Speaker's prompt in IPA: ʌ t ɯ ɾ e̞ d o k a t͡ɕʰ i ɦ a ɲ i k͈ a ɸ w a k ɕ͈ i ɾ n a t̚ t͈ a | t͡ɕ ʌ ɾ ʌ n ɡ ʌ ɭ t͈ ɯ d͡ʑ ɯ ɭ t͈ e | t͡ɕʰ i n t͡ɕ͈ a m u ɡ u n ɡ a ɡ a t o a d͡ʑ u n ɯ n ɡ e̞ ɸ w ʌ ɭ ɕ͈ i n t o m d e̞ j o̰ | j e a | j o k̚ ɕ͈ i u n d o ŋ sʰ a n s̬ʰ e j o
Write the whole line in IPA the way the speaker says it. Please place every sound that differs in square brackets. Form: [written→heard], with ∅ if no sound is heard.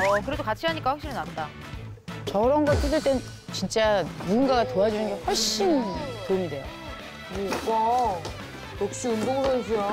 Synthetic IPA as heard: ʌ [t→k] ɯ ɾ e̞ d o k a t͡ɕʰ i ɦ a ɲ i k͈ a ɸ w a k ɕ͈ i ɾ n a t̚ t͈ a | t͡ɕ ʌ ɾ ʌ n ɡ ʌ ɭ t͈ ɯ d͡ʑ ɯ ɭ t͈ e | [t͡ɕʰ→t͡ɕ] i n t͡ɕ͈ a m u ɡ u n ɡ a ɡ a t o a d͡ʑ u n ɯ n ɡ e̞ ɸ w ʌ ɭ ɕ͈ i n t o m d e̞ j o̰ | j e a | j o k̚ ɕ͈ i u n d o ŋ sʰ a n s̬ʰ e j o

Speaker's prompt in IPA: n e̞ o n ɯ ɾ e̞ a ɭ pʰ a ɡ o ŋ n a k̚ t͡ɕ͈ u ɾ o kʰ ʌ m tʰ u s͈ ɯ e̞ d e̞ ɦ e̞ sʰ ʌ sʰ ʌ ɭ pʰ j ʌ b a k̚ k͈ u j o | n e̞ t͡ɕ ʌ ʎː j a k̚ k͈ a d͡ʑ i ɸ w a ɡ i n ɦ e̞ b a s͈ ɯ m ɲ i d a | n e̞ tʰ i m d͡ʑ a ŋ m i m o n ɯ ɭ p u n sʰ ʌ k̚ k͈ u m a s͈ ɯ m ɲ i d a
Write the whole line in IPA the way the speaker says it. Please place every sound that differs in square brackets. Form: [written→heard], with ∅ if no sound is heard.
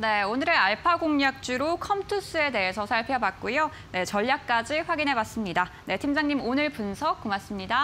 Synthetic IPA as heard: n e̞ o n ɯ ɾ e̞ a ɭ pʰ a ɡ o ŋ [n→ɲ] a k̚ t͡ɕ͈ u ɾ o kʰ ʌ m tʰ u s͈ ɯ e̞ d e̞ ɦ e̞ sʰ ʌ sʰ [ʌ→a] ɭ pʰ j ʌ b a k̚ k͈ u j o | n e̞ t͡ɕ ʌ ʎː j a k̚ k͈ a d͡ʑ i ɸ w a ɡ i n ɦ e̞ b a s͈ ɯ m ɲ i d a | n e̞ tʰ i m d͡ʑ a ŋ [m→ɲ] i m o n ɯ ɭ p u n sʰ ʌ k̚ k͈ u m a s͈ ɯ m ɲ i d a

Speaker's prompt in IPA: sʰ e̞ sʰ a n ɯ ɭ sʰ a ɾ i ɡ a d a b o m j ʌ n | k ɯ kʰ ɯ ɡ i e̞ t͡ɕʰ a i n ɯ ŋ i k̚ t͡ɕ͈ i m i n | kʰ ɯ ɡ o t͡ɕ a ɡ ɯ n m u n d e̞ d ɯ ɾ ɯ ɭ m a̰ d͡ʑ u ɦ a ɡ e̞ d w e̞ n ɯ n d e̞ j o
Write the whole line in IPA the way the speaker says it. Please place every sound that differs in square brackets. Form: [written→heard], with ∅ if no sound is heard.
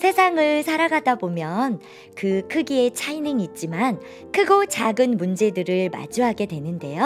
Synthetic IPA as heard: sʰ e̞ sʰ a [n→ŋ] ɯ ɭ sʰ a ɾ [i→a] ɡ a d a b o m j ʌ n | k ɯ kʰ ɯ ɡ i e̞ t͡ɕʰ a i n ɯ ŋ i [k̚→t̚] t͡ɕ͈ i m [i→a] n | kʰ ɯ ɡ o t͡ɕ a ɡ ɯ n m u n [d→d͡ʑ] e̞ d ɯ ɾ ɯ ɭ m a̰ d͡ʑ u ɦ a ɡ e̞ d w e̞ n ɯ n d e̞ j o

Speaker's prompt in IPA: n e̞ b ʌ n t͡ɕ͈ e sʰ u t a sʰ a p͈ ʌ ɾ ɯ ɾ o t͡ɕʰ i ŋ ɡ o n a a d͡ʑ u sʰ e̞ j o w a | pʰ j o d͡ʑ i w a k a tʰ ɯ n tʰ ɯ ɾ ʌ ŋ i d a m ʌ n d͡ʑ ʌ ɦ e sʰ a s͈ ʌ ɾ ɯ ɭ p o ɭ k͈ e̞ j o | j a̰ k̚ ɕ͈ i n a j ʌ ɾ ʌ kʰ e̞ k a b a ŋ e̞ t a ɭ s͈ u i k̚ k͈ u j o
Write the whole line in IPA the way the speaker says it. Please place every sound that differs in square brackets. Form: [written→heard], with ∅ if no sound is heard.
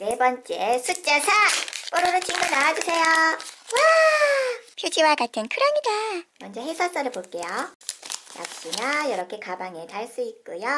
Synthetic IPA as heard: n e̞ b ʌ n t͡ɕ͈ e sʰ u [t→t͡ɕ͈] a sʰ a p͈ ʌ ɾ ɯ ɾ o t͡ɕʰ i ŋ ɡ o n a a d͡ʑ u sʰ e̞ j o w a | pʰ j o d͡ʑ i w a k a tʰ ɯ n [tʰ→kʰ] ɯ ɾ ʌ ŋ i d a m ʌ n d͡ʑ ʌ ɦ e sʰ a s͈ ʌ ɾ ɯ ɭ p o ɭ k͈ e̞ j o | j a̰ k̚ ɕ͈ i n a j ʌ ɾ ʌ kʰ e̞ k a b a ŋ e̞ t a ɭ s͈ u i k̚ k͈ u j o

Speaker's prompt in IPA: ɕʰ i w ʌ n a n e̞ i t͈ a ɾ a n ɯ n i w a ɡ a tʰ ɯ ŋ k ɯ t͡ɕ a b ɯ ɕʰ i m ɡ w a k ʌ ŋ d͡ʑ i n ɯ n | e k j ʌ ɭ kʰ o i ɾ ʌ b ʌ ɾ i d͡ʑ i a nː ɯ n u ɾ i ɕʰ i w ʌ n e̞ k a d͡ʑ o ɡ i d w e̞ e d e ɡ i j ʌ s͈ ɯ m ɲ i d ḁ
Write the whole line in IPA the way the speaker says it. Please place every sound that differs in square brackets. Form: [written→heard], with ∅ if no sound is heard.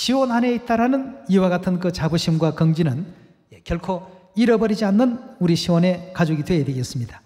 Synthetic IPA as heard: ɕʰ i w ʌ n a n e̞ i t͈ a ɾ a n ɯ n i w a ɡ a tʰ ɯ [ŋ→n] k ɯ t͡ɕ a b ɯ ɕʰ i m ɡ w a k ʌ ŋ d͡ʑ i n ɯ n | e k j ʌ ɭ kʰ o i ɾ ʌ b ʌ ɾ i d͡ʑ i a nː ɯ n u ɾ i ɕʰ i w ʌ n e̞ k a d͡ʑ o ɡ i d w e̞ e d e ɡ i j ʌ s͈ ɯ m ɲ i d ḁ

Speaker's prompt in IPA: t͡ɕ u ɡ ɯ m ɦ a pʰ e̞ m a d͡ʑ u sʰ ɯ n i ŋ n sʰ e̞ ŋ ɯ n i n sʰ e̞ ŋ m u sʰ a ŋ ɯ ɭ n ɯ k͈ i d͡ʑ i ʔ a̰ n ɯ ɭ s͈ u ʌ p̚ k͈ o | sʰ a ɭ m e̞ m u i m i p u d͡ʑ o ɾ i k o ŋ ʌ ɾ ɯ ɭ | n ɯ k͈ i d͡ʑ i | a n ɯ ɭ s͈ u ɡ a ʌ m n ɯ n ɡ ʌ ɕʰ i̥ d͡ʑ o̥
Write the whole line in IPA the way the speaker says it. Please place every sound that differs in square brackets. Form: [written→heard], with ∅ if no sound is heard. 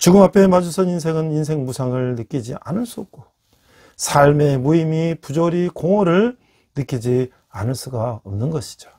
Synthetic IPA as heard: t͡ɕ u ɡ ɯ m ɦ a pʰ e̞ m a d͡ʑ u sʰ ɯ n i [ŋ→∅] n sʰ e̞ ŋ ɯ n i n sʰ e̞ ŋ m u sʰ a ŋ ɯ ɭ n ɯ k͈ i d͡ʑ i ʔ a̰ n ɯ ɭ s͈ u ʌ p̚ k͈ o | sʰ a ɭ m e̞ m u i m i p u d͡ʑ o ɾ i k o ŋ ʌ ɾ ɯ ɭ | n ɯ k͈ i d͡ʑ i | a n ɯ ɭ s͈ u ɡ a ʌ m n ɯ n ɡ ʌ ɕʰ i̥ d͡ʑ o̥

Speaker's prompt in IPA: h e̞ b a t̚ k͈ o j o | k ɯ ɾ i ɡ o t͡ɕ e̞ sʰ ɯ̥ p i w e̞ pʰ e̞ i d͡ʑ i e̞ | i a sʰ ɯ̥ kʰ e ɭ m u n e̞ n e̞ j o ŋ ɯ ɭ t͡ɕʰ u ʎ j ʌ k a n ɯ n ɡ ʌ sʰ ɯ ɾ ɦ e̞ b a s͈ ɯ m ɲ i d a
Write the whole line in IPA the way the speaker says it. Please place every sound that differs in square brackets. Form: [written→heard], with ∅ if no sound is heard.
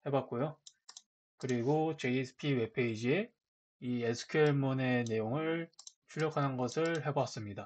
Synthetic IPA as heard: h e̞ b a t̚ k͈ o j o | k ɯ ɾ i ɡ o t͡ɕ e̞ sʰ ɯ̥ [p→pʰ] i w e̞ pʰ e̞ i d͡ʑ i e̞ | i [a→e] sʰ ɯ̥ kʰ e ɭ m u n e̞ n e̞ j o ŋ ɯ ɭ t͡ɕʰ u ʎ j ʌ [k→kʰ] a n ɯ n ɡ ʌ sʰ ɯ [ɾ→ɭ] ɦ e̞ b a s͈ ɯ m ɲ i d a

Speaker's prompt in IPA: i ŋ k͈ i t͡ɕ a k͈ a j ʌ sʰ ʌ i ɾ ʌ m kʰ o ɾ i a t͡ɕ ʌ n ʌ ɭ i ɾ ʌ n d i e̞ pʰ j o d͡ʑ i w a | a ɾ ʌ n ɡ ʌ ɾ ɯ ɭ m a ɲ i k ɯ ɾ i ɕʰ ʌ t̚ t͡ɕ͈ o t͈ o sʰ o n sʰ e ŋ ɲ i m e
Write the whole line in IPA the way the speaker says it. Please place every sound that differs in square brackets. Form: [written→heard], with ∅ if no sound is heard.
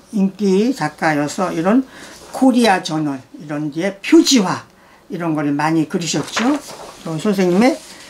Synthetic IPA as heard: i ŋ k͈ i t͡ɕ a k͈ a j ʌ sʰ ʌ i ɾ ʌ [m→n] kʰ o ɾ i a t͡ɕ ʌ n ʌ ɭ i ɾ ʌ n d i e̞ pʰ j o d͡ʑ i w a | [a→i] ɾ ʌ n ɡ ʌ ɾ ɯ ɭ m a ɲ i k ɯ ɾ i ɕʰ ʌ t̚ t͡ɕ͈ o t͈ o sʰ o n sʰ e ŋ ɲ i m e

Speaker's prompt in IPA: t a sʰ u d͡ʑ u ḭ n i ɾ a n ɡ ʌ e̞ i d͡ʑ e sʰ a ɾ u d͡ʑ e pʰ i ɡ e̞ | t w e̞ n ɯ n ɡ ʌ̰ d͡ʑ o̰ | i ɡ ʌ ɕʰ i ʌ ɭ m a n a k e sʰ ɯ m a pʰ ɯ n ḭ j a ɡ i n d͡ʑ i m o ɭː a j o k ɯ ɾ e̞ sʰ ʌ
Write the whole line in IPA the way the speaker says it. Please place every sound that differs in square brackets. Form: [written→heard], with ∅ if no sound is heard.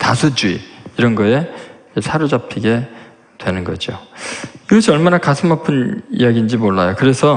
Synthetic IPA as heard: t a sʰ u d͡ʑ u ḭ [n→∅] i ɾ [a→ʌ] n ɡ ʌ e̞ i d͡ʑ e sʰ a ɾ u d͡ʑ [e→a] pʰ i ɡ e̞ | t w e̞ n ɯ n ɡ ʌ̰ d͡ʑ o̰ | i ɡ ʌ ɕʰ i ʌ ɭ m a n a k [e→a] sʰ ɯ m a pʰ ɯ n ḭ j a ɡ i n d͡ʑ i m o ɭː a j o k ɯ ɾ e̞ sʰ ʌ

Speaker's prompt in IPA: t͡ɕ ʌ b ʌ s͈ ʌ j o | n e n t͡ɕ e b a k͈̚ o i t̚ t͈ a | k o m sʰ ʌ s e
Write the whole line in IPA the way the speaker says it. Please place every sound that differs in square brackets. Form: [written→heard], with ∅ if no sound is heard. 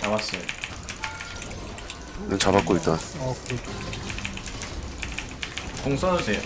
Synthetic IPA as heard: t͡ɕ [ʌ→a] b [ʌ→a] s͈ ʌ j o | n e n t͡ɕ [e→a] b a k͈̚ o i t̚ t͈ a | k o [m→ŋ] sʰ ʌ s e

